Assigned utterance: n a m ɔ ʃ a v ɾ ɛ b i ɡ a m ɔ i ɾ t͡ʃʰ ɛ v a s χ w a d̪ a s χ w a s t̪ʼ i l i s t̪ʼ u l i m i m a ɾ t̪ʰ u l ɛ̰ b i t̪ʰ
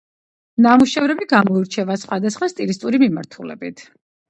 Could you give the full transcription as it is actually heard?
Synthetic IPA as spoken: n a m u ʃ ɛ v ɾ ɛ b i ɡ a m ɔ i ɾ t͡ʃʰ ɛ v a s χ w a d̪ a s χ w a s t̪ʼ i l i s t̪ʼ u ɾ i m i m a ɾ t̪ʰ u l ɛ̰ b i t̪ʰ